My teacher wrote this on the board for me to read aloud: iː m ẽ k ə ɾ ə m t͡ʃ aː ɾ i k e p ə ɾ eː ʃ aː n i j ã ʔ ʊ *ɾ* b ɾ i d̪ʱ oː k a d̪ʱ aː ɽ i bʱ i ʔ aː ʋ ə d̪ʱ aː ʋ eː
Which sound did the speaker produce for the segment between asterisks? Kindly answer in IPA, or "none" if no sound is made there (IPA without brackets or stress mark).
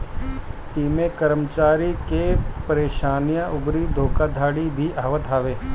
none